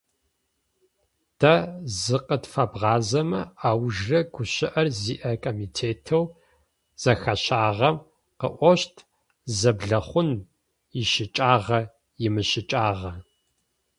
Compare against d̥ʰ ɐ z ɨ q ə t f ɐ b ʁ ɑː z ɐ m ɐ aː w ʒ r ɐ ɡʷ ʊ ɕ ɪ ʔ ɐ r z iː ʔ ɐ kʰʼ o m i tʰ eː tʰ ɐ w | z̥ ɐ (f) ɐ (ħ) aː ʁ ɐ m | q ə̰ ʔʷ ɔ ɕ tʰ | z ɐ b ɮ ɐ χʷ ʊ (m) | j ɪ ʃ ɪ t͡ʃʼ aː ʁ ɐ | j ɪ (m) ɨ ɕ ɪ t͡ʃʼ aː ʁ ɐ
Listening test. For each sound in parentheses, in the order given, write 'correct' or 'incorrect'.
incorrect: x, incorrect: ɕ, incorrect: n, correct

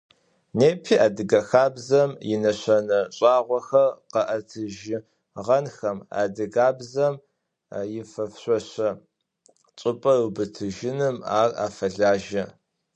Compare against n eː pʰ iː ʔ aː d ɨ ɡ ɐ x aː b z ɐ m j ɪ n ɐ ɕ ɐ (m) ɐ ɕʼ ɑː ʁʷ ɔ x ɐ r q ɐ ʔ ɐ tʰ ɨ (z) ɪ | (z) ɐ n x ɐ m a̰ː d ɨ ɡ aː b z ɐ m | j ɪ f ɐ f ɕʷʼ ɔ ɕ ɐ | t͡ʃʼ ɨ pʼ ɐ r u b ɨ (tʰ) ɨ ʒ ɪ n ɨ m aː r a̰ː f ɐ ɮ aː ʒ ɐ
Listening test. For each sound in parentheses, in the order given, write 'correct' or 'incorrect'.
incorrect: n, incorrect: ʒ, incorrect: ʁ, correct

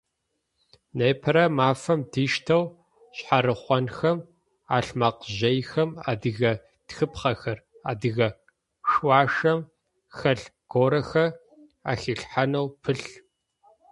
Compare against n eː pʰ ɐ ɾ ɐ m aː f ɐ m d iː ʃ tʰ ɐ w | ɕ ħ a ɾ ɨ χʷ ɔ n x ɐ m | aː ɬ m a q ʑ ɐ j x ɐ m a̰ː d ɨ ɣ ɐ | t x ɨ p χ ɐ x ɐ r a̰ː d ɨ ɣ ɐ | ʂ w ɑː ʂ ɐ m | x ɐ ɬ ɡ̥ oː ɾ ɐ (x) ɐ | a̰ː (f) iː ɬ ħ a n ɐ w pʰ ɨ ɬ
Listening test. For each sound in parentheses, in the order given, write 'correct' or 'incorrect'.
correct, incorrect: x

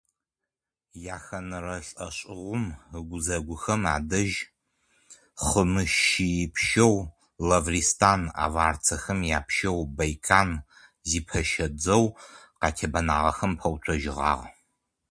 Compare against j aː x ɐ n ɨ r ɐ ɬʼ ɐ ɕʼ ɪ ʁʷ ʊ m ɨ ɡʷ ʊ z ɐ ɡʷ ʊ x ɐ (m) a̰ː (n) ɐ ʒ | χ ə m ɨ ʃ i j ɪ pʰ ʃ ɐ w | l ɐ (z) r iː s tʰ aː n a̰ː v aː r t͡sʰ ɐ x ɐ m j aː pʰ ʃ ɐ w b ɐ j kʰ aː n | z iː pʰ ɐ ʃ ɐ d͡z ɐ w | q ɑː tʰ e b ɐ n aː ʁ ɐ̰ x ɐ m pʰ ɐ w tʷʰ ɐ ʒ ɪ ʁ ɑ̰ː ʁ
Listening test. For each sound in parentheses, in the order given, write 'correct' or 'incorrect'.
correct, incorrect: d, incorrect: v

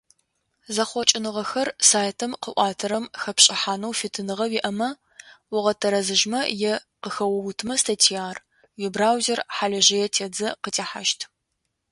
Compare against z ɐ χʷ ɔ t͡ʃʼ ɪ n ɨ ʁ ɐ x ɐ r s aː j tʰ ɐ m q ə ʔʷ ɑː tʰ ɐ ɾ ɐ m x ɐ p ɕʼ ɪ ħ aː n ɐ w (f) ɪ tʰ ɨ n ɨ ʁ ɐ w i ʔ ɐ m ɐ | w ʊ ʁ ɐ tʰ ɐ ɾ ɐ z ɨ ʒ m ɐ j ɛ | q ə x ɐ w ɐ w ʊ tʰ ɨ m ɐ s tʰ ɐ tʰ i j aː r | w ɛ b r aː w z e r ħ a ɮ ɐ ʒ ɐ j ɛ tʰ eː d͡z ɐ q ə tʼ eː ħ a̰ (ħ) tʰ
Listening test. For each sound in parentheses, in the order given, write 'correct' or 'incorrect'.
correct, incorrect: ʃ

